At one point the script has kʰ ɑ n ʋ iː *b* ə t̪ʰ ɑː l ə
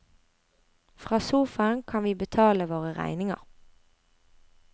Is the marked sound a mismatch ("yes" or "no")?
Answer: no